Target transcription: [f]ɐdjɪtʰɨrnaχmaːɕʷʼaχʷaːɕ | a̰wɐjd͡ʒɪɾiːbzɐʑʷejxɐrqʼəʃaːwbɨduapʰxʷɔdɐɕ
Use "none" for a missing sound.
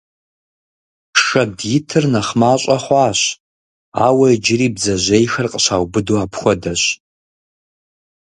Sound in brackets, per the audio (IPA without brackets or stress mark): ʂ